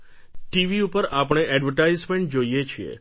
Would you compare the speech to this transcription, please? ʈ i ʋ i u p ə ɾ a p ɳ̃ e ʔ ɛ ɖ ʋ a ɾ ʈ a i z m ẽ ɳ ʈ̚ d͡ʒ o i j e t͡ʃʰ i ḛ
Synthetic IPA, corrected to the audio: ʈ i ʋ i u p ə ɾ a p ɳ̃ e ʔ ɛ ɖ ʋ ə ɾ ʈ a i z m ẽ ɳ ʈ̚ d͡ʒ o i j e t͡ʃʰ i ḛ